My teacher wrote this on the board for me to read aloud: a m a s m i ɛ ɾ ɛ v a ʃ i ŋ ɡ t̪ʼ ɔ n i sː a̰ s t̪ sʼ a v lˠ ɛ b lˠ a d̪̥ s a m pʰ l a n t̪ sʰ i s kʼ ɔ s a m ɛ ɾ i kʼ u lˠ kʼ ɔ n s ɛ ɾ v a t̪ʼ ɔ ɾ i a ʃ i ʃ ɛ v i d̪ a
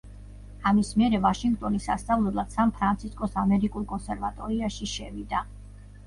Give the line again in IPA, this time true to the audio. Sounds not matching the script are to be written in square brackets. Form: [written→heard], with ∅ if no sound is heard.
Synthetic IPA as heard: a m [a→i] s m i ɛ ɾ ɛ v a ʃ i ŋ ɡ t̪ʼ ɔ n i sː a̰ s t̪ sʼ a v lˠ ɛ b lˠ a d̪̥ s a m pʰ [l→ɾ] a n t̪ sʰ i s kʼ ɔ s a m ɛ ɾ i kʼ u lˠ kʼ ɔ n s ɛ ɾ v a t̪ʼ ɔ ɾ i a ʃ i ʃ ɛ v i d̪ a